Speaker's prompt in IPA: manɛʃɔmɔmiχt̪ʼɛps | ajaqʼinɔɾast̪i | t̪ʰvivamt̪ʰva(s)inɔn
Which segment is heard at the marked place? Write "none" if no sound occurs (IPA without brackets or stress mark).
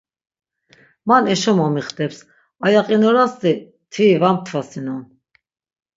s